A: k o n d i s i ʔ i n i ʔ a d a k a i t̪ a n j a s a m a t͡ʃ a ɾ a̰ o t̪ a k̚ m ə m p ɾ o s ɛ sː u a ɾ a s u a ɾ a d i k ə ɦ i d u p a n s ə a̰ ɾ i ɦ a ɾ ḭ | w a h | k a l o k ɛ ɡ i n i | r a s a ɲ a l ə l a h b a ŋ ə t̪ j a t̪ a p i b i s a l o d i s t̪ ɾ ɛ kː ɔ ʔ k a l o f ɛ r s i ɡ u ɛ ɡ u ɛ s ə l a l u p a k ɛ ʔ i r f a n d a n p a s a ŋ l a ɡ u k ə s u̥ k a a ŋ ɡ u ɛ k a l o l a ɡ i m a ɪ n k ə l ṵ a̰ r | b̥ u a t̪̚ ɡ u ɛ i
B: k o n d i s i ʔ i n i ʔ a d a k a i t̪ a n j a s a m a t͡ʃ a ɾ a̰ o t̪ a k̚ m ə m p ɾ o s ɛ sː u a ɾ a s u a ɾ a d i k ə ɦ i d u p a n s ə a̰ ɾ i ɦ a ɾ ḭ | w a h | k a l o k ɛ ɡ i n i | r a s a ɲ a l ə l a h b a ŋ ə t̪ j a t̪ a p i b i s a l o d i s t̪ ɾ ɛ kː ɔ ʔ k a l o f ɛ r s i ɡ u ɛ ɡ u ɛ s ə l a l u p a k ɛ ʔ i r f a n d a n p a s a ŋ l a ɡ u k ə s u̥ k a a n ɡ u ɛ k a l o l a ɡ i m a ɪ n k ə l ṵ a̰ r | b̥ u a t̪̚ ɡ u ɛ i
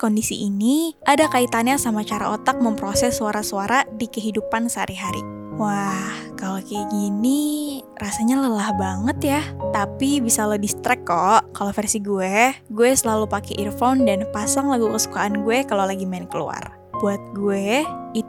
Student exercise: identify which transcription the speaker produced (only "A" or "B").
B